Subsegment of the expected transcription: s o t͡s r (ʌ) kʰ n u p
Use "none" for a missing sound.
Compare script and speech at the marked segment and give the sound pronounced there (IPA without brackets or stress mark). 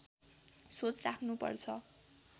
a